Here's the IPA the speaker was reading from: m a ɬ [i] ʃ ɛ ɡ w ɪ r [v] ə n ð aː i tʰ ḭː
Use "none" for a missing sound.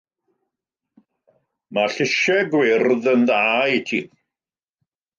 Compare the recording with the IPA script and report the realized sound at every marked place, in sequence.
ɪ, ð

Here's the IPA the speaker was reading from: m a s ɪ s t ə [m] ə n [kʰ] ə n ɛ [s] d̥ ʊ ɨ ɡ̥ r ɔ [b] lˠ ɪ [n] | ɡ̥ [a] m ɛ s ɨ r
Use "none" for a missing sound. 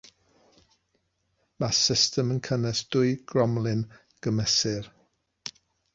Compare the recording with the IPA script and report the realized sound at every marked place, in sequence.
m, kʰ, s, m, n, ə

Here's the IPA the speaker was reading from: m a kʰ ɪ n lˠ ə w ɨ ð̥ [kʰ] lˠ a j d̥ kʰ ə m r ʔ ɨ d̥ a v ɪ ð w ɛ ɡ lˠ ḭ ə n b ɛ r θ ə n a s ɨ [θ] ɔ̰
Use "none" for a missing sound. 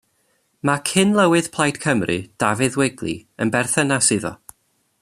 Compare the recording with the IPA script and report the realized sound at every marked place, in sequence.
pʰ, ð

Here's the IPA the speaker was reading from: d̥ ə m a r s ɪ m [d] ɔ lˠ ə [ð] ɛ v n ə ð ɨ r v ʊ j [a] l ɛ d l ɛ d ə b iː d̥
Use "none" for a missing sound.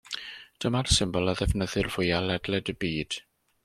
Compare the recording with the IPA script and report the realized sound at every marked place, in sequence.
b, ð, a

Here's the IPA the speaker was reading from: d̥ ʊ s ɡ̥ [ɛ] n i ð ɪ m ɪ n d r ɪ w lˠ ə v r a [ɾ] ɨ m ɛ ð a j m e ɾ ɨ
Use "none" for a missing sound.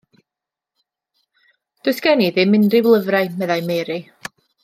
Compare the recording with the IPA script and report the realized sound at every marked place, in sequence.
ɛ, none

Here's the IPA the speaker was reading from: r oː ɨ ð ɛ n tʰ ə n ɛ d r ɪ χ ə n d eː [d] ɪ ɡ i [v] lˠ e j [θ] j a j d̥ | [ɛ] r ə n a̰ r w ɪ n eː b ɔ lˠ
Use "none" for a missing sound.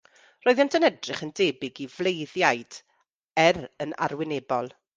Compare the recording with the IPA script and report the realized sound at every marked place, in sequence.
b, v, ð, ɛ

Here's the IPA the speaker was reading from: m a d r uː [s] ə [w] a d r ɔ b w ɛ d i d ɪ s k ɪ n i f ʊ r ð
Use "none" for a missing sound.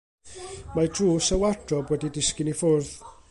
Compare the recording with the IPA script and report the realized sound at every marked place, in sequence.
s, w

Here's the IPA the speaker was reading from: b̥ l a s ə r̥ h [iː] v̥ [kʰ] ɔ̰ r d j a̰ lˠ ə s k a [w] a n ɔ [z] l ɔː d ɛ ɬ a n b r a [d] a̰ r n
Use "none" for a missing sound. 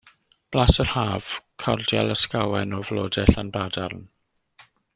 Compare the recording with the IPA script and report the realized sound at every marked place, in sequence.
aː, kʰ, w, v, d

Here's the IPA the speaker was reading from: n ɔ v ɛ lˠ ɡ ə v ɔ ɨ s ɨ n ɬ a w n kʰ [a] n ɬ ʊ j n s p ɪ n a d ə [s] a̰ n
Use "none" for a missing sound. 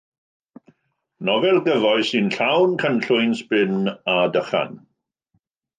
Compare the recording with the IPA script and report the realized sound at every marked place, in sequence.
ə, χ

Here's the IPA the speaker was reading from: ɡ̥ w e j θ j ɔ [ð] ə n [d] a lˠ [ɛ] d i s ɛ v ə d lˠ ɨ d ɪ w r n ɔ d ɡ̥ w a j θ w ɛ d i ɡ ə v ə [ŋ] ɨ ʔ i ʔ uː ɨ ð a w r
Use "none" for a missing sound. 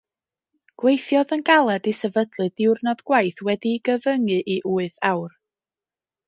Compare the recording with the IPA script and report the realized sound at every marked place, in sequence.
ð, ɡ, ɛ, ŋ

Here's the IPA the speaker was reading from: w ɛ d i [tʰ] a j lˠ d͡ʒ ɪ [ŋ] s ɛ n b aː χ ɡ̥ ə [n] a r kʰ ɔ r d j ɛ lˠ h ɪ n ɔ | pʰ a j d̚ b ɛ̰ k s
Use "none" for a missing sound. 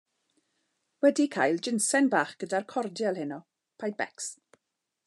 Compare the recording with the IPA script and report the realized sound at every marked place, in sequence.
kʰ, n, d

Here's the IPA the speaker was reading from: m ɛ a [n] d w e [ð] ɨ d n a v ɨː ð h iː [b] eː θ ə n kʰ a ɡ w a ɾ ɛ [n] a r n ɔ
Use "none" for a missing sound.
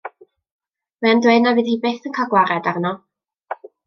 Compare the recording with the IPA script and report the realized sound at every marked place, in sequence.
n, none, b, d

